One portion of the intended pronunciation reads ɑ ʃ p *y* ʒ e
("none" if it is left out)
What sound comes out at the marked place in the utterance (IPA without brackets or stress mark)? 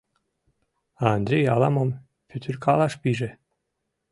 i